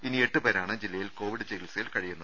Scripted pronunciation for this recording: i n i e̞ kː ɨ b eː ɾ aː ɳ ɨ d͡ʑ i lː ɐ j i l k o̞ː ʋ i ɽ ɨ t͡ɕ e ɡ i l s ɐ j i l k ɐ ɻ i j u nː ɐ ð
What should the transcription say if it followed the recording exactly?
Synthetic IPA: i n i e̞ ʈː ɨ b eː ɾ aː ɳ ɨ d͡ʑ i lː ɐ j i l k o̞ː ʋ i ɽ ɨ t͡ɕ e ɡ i l s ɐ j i l k ɐ ɻ i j u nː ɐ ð